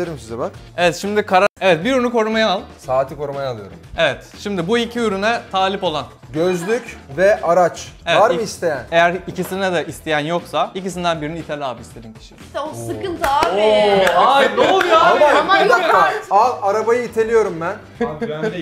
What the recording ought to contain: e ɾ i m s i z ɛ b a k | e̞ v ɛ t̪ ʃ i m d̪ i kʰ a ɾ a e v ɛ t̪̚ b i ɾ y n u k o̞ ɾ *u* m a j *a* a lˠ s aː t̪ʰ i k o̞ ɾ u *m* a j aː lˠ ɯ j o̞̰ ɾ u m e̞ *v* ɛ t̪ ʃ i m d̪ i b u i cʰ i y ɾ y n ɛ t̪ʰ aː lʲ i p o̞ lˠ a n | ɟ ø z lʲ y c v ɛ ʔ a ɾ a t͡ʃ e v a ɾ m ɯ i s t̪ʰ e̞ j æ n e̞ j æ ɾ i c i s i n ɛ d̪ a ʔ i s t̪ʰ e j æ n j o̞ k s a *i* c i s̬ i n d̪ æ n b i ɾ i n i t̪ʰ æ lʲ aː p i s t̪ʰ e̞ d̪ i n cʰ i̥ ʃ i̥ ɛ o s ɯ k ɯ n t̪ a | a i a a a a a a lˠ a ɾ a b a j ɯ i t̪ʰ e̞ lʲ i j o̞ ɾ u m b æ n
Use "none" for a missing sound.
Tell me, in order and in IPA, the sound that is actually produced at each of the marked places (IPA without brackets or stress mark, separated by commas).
u, a, m, v, i